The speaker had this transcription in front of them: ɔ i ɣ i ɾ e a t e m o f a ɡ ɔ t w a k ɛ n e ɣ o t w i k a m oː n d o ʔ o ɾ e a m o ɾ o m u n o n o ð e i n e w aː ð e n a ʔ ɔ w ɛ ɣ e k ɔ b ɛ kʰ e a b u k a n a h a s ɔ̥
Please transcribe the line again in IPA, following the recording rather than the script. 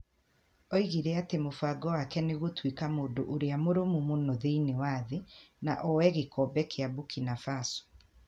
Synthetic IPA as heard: ɔ i ɣ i ɾ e a t e m o f a ɡ ɔ w a k ɛ n e ɣ o t w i k a m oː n d o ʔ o ɾ e a m o ɾ o m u m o n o ð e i n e w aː ð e n a ʔ ɔ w ɛ ɣ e k ɔ b ɛ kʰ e a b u k i n a f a s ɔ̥